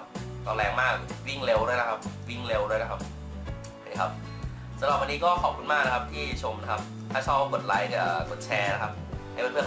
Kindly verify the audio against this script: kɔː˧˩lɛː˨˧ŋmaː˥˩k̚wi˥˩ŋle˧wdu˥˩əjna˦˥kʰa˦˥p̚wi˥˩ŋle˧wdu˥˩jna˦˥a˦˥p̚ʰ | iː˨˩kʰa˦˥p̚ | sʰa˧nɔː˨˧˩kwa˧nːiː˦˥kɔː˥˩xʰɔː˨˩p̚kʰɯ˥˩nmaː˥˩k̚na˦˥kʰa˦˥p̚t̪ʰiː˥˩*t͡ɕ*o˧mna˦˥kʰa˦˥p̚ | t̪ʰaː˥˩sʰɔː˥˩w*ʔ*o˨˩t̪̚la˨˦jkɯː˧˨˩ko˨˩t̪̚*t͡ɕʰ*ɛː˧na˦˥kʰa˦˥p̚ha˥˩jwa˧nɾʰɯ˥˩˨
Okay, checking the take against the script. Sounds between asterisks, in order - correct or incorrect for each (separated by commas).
incorrect, incorrect, correct